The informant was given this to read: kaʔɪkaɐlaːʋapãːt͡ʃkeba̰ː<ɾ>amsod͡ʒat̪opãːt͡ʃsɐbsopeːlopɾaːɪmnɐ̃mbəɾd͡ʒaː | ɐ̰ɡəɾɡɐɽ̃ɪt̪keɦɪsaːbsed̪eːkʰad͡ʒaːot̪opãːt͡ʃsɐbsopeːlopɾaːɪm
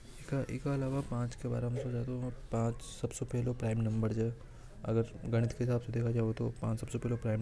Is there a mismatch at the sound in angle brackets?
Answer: no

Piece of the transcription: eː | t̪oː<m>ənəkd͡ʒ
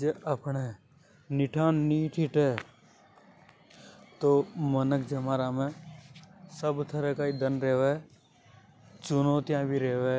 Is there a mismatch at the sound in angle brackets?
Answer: no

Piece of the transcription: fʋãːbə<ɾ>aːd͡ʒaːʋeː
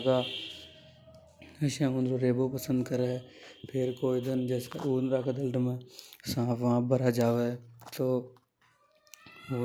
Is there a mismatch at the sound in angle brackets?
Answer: no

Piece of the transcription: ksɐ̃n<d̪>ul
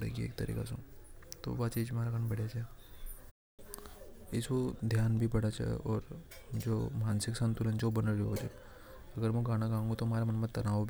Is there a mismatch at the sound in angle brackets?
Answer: yes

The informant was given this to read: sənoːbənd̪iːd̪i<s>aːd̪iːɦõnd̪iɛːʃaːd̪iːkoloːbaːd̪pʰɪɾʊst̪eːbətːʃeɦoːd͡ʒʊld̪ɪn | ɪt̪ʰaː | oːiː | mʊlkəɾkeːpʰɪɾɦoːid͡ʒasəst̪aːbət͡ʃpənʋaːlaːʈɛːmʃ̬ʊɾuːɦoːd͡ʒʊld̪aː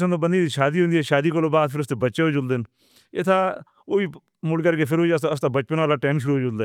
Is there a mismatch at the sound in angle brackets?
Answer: yes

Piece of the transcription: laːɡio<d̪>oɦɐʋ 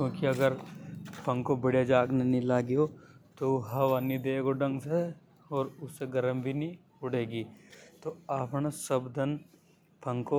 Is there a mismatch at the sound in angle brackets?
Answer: yes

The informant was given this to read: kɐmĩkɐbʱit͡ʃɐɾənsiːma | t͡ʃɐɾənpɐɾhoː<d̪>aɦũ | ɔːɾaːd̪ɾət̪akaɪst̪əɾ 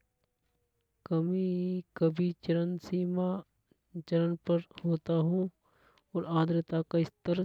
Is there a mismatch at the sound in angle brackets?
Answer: yes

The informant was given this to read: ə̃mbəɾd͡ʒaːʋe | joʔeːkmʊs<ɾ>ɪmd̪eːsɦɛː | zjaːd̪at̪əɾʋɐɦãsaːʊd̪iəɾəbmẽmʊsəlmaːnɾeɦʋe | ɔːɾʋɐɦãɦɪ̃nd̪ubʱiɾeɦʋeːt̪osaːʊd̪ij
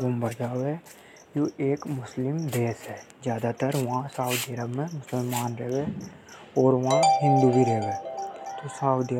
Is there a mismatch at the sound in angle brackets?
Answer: yes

